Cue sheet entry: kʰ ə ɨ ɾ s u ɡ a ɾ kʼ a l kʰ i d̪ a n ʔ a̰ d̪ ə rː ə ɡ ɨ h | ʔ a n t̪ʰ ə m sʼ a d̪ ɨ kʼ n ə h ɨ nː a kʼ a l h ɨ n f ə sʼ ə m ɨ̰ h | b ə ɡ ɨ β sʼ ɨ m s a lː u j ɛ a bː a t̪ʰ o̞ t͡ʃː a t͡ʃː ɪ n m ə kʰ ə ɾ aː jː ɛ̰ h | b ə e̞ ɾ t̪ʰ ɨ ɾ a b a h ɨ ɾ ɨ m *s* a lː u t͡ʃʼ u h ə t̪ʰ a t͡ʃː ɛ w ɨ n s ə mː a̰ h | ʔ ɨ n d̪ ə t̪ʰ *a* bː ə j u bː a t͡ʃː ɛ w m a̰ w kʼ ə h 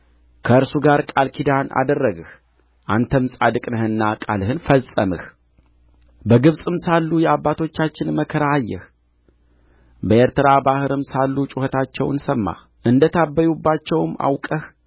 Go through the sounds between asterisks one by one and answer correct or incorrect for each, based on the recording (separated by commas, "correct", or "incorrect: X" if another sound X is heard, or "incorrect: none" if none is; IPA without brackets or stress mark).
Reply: correct, correct